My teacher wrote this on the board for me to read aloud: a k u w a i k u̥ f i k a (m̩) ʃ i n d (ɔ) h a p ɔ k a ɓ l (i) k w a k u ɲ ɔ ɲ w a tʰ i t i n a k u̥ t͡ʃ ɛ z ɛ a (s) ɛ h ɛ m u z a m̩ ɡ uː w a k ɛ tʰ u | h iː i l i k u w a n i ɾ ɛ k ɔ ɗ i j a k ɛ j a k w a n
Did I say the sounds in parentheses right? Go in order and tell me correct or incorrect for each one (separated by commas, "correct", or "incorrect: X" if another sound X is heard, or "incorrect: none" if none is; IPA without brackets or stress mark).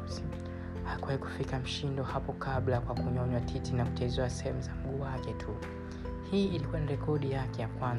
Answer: correct, correct, incorrect: a, correct